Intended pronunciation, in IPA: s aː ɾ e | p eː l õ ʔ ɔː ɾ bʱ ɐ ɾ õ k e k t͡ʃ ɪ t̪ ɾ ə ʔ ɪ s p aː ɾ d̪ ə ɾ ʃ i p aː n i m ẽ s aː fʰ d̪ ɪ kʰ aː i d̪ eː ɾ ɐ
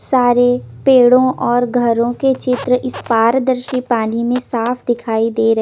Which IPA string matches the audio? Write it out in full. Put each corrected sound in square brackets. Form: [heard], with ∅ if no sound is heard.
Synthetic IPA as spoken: s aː ɾ e | p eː [ɽ] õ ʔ ɔː ɾ [ɡʱ] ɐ ɾ õ k e [∅] t͡ʃ ɪ t̪ ɾ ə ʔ ɪ s p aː ɾ d̪ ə ɾ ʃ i p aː n i m ẽ s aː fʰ d̪ ɪ kʰ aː i d̪ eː ɾ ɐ